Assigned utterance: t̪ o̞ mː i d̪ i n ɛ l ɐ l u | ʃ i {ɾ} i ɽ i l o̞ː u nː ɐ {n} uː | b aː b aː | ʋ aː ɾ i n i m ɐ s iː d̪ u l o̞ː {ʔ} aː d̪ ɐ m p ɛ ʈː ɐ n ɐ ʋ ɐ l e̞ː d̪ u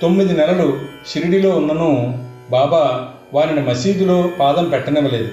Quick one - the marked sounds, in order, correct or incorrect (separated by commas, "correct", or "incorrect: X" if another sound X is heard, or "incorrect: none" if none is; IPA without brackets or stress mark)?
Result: correct, correct, incorrect: p